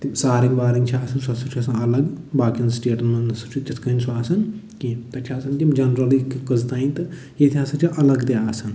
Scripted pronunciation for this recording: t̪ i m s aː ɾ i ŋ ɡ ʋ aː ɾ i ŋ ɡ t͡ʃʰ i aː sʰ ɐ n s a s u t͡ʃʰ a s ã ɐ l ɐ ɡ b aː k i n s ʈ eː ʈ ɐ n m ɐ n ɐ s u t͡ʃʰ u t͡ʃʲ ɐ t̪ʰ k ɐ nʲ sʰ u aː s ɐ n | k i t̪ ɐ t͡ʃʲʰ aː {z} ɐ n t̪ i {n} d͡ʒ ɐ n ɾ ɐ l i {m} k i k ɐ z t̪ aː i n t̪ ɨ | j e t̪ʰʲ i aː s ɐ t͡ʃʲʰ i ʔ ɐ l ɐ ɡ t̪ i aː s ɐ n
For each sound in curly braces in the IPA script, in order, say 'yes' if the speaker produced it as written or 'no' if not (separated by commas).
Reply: no, no, no